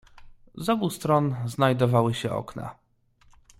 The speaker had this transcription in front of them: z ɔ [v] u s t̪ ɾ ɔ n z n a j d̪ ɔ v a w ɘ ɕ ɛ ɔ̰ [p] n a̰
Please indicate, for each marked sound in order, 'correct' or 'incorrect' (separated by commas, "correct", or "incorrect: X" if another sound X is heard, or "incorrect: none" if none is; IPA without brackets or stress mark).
incorrect: b, incorrect: k